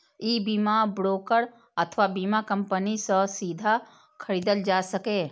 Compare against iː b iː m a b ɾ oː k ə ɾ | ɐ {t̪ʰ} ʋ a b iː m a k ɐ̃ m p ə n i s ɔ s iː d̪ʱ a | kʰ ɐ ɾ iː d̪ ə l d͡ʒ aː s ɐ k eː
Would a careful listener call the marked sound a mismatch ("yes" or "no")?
no